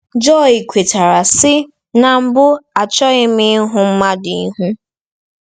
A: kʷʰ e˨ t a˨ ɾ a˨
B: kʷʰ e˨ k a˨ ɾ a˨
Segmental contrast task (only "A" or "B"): A